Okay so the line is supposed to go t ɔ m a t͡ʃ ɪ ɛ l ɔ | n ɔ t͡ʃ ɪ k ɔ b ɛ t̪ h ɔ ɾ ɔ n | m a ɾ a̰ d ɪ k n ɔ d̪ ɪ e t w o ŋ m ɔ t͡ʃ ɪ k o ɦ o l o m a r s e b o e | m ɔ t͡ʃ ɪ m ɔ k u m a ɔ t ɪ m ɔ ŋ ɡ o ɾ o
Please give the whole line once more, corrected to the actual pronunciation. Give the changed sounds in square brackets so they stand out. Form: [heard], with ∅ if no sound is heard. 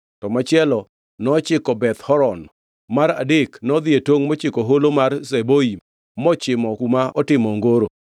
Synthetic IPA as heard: t ɔ m a t͡ʃ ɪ ɛ l ɔ | n ɔ t͡ʃ ɪ k ɔ b ɛ t̪ h ɔ ɾ ɔ n | m a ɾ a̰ d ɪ k n ɔ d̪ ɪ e t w o ŋ m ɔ t͡ʃ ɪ k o ɦ o l o m a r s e b o [i] | m ɔ t͡ʃ ɪ m ɔ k u m a ɔ t ɪ m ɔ ŋ ɡ o ɾ o